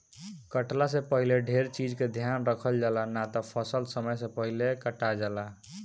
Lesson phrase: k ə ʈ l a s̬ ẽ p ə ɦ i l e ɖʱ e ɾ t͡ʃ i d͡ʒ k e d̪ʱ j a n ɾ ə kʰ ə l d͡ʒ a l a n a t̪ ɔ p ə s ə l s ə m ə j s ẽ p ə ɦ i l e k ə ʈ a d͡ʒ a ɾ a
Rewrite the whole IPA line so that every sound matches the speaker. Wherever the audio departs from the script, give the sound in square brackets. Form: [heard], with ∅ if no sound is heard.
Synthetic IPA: k ə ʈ l a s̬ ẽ p ə ɦ i l e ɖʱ e ɾ t͡ʃ i d͡ʒ k e d̪ʱ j a n ɾ ə kʰ ə l d͡ʒ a l a n a t̪ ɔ [pʰ] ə s ə l s ə m ə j s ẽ p ə ɦ i l e k ə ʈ a d͡ʒ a [l] a